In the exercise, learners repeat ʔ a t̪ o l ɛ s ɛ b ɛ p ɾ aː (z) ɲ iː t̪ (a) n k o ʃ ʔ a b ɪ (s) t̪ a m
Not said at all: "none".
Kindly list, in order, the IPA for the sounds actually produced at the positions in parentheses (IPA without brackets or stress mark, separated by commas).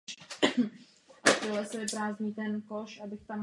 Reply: z, ɛ, x